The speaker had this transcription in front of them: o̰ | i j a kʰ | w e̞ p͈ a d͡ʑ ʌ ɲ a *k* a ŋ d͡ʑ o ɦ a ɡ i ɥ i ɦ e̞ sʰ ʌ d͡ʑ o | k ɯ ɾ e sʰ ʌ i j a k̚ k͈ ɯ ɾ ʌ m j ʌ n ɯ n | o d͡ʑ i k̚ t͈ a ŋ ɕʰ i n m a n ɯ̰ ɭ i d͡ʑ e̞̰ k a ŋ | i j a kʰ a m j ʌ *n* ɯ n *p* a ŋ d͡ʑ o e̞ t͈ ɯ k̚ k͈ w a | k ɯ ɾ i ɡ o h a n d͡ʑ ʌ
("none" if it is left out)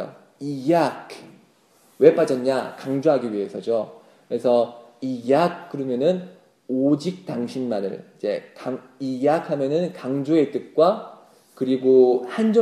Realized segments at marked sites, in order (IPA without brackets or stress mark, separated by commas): k, n, k